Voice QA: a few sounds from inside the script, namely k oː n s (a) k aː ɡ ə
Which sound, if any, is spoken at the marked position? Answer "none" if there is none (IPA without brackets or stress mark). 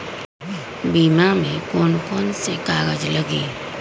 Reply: e